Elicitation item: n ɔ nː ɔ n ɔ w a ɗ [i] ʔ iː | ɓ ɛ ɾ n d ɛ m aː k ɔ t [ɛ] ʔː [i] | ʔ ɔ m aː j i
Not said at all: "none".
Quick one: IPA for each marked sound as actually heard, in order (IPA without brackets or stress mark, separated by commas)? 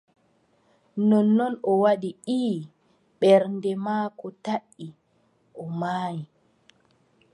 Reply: i, a, i